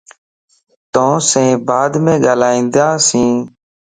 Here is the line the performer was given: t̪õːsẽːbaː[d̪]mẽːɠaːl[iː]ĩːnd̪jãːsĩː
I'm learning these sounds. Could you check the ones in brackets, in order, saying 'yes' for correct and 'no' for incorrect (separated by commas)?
yes, no